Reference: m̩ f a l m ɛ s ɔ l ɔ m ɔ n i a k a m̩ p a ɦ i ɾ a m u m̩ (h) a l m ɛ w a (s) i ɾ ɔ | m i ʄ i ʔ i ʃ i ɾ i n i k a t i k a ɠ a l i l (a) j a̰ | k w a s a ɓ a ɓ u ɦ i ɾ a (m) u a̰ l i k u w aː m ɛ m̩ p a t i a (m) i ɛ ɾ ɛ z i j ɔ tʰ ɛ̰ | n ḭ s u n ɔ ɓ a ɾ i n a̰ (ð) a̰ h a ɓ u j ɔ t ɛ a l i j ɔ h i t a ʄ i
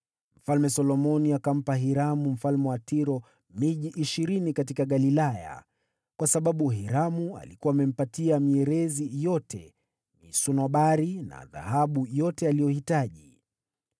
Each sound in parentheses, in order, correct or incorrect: incorrect: f, incorrect: t, correct, correct, correct, correct

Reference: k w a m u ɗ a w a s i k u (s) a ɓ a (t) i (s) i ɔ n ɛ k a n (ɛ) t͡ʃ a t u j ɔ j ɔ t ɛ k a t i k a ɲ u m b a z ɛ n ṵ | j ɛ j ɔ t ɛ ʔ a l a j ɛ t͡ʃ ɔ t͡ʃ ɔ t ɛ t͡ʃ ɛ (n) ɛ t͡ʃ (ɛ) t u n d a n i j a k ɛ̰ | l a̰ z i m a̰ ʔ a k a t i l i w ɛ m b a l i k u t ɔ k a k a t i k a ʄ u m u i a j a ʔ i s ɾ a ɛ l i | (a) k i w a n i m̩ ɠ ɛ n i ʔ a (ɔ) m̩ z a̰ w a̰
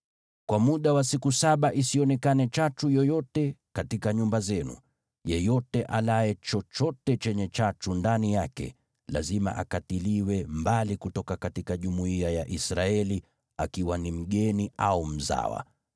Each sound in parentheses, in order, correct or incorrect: correct, incorrect: ʔ, correct, correct, incorrect: ɲ, incorrect: a, correct, incorrect: u

